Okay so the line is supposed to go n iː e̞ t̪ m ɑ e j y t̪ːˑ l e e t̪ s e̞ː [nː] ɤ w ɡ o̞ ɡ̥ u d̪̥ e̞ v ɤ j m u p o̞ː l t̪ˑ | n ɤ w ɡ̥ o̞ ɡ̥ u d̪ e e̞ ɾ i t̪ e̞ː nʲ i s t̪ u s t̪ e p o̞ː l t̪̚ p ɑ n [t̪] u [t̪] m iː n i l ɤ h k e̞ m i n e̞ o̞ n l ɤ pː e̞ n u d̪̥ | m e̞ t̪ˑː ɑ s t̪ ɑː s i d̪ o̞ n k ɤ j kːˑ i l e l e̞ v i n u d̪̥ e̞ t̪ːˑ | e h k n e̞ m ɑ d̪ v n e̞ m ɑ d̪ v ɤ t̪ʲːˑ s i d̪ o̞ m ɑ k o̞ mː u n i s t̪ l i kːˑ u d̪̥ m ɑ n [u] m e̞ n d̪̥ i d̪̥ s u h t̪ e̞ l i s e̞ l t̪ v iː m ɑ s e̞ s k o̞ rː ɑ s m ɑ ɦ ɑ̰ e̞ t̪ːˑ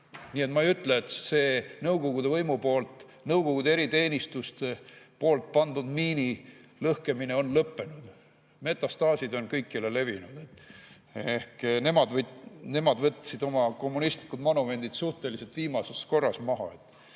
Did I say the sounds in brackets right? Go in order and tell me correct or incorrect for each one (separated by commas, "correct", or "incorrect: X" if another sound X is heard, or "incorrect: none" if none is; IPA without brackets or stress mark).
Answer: incorrect: n, incorrect: d̪, incorrect: d̪, correct